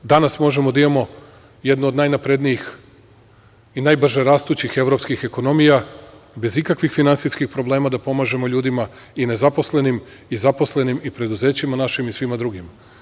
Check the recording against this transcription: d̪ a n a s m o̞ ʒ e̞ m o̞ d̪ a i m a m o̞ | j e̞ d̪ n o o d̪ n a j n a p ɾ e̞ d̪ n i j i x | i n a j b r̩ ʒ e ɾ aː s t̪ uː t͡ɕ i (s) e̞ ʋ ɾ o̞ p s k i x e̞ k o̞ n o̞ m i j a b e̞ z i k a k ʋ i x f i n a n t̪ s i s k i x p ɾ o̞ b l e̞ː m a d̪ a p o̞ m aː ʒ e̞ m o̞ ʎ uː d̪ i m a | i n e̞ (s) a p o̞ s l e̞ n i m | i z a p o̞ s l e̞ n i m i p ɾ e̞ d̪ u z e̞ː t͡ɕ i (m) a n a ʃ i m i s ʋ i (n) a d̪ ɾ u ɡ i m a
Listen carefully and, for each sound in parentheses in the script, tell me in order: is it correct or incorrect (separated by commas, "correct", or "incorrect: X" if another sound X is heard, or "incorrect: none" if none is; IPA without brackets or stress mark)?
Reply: incorrect: x, incorrect: z, correct, incorrect: m